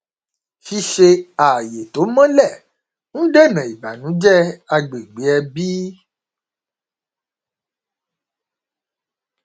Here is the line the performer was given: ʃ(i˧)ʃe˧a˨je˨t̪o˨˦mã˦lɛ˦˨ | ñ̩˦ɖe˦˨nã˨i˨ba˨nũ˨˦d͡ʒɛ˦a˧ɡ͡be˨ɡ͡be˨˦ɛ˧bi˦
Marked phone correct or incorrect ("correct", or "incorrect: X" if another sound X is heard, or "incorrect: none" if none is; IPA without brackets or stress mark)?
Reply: correct